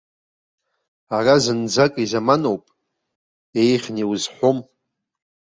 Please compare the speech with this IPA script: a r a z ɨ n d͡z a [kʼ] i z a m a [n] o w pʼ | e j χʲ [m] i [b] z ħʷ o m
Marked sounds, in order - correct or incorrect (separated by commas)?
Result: correct, correct, incorrect, incorrect